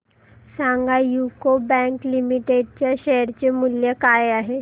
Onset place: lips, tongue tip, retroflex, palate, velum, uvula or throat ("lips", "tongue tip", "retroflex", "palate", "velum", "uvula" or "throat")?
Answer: tongue tip